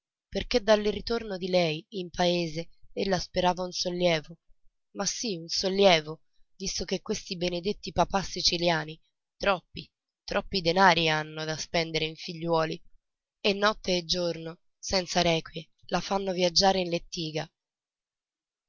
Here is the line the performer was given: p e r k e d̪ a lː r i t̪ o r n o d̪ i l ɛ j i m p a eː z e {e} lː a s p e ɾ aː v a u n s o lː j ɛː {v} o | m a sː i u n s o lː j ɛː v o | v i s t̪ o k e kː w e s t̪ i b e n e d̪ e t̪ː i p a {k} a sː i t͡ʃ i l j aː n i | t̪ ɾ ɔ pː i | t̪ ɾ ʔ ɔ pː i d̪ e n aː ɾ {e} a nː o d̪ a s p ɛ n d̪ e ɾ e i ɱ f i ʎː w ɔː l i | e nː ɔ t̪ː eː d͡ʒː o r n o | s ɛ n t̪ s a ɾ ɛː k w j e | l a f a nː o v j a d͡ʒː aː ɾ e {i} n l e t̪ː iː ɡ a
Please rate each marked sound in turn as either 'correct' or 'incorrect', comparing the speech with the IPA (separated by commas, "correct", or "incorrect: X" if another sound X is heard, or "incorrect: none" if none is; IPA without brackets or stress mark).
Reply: correct, correct, incorrect: p, incorrect: i, correct